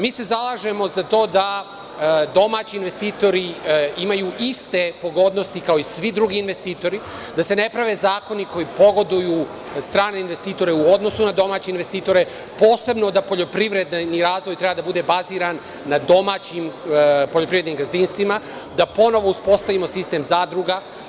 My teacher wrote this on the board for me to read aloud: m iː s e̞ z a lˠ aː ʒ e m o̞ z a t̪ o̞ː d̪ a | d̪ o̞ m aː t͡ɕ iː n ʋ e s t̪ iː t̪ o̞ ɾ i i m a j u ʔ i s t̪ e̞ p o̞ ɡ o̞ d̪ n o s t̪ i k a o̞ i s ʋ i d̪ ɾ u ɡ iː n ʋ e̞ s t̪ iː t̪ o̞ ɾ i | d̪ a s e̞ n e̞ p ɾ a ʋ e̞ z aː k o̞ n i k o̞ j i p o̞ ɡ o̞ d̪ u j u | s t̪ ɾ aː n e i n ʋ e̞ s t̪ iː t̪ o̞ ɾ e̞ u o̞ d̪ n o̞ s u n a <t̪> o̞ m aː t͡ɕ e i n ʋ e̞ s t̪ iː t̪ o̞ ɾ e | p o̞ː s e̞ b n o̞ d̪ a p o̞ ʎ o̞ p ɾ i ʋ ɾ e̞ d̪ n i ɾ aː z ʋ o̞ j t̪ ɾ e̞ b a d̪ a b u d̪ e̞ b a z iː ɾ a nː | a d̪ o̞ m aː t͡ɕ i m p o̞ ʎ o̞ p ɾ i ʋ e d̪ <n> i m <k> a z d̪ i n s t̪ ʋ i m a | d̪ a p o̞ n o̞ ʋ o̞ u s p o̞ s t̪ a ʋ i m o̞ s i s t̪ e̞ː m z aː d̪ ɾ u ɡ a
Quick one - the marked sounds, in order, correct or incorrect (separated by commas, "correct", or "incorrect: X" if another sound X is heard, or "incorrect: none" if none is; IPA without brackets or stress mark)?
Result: incorrect: d̪, correct, incorrect: ɡ